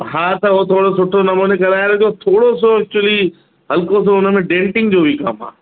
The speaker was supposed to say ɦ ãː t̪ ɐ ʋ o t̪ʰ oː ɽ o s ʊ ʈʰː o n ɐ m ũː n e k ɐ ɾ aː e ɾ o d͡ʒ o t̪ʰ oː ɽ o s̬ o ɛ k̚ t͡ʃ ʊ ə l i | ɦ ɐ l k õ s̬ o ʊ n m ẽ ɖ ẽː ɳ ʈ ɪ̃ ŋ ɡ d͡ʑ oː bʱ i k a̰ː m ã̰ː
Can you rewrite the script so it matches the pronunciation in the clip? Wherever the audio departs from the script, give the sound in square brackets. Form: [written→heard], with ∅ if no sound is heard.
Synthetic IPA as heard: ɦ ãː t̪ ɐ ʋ o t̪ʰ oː ɽ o s ʊ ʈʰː o n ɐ m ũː n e k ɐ ɾ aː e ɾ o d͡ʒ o t̪ʰ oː ɽ o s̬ o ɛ k̚ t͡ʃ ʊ ə l i | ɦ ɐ l k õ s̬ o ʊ n m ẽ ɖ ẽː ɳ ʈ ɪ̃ ŋ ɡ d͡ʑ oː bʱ i k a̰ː m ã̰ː